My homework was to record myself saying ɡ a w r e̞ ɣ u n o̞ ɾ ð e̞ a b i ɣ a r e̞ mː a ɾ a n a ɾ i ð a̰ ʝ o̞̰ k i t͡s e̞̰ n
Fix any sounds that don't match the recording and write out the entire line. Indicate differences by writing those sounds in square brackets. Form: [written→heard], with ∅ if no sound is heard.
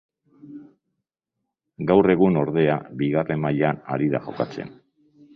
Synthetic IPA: ɡ a w r e̞ ɣ u n o̞ ɾ ð e̞ a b i ɣ a r e̞ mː a [ɾ→ʎ] a n a ɾ i ð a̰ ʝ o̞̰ k [i→a] t͡s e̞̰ n